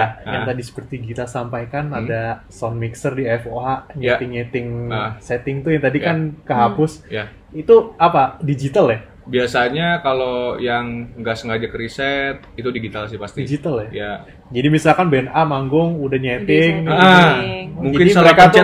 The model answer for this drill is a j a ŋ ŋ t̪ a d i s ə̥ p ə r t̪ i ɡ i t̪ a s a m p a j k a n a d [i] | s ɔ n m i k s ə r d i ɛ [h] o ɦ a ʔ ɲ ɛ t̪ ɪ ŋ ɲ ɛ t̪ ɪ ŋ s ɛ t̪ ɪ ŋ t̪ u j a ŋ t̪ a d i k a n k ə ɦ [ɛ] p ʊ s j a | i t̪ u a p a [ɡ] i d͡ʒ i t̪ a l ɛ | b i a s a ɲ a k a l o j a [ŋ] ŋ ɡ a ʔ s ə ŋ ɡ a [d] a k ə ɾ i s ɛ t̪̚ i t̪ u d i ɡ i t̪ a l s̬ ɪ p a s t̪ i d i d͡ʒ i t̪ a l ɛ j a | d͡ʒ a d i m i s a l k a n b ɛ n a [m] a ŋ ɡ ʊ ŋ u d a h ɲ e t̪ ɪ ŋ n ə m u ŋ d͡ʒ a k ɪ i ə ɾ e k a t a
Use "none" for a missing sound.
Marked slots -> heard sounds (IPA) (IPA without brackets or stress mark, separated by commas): a, f, a, d, ŋ, d͡ʒ, m